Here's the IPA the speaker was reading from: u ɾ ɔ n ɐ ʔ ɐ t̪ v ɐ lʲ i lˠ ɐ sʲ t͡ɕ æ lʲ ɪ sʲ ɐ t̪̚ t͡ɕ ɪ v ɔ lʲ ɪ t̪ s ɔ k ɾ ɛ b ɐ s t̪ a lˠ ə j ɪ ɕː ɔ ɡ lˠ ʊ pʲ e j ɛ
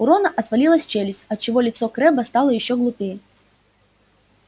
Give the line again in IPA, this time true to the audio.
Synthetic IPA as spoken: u ɾ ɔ n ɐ ʔ ɐ t̪ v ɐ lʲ i lˠ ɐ sʲ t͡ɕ e lʲ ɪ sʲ ɐ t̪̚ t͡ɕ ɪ v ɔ lʲ ɪ t̪ s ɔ k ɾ ɛ b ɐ s t̪ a lˠ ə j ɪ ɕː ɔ ɡ lˠ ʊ pʲ e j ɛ